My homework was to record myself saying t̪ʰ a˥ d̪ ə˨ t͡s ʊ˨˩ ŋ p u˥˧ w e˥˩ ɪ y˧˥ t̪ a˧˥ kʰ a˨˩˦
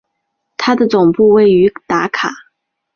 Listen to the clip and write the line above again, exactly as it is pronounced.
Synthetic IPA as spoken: t̪ʰ a˥ d̪ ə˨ t͡s ʊ˨˩ ŋ p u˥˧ w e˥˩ ɪ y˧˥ t̪ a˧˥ kʰ a˨˩˦